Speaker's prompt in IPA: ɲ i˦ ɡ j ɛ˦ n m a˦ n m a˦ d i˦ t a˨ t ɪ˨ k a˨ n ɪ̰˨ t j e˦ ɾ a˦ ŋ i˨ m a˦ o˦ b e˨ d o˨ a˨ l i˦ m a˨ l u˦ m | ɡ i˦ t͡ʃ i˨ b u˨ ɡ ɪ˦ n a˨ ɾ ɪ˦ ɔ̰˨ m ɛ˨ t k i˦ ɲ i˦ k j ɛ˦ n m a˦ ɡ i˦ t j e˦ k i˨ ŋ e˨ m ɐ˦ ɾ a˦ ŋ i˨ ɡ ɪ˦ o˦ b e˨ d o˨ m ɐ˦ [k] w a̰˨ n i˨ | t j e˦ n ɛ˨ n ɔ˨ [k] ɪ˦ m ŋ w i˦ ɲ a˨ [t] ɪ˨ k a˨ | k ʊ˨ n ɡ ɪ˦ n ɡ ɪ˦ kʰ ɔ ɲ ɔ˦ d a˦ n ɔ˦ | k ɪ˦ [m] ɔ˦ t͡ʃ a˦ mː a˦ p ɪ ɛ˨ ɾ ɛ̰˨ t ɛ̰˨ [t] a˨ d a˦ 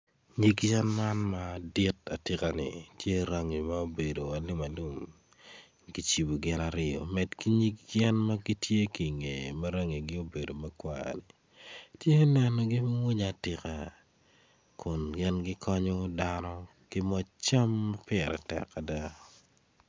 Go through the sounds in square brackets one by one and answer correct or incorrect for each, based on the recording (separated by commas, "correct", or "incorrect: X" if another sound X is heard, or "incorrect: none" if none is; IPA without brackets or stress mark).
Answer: correct, incorrect: ɡ, correct, correct, incorrect: k